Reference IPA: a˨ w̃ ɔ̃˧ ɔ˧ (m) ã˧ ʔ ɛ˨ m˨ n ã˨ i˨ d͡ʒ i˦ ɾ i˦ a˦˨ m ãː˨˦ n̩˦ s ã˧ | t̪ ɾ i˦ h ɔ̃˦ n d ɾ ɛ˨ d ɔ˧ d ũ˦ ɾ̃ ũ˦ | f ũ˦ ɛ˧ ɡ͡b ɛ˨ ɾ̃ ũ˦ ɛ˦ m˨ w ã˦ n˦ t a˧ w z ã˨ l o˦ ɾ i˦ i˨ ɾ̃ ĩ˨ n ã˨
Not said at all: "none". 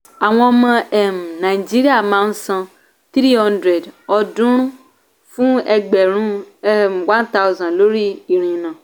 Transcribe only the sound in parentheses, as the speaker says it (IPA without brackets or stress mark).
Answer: m